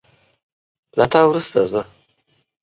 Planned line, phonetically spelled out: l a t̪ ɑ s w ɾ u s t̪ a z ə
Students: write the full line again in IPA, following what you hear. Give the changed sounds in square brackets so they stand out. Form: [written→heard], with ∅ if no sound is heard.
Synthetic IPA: l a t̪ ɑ [s→∅] w ɾ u s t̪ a z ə